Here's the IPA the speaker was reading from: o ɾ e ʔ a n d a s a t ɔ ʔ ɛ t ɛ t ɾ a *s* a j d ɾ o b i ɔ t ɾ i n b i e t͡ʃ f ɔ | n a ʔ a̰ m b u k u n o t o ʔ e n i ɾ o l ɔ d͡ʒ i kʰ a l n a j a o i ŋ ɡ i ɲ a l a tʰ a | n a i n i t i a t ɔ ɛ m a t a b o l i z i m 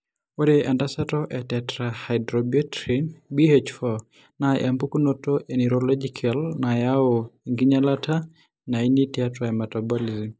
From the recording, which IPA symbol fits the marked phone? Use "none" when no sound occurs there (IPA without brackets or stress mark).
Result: h